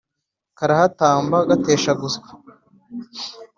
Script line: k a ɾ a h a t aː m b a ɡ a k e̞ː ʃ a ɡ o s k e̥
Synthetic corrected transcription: k a ɾ a h a t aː m b a ɡ a t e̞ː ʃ a ɡ u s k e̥